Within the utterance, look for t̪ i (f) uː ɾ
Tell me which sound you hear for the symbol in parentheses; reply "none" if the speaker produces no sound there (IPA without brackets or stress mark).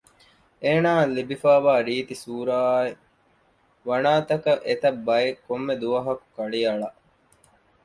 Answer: s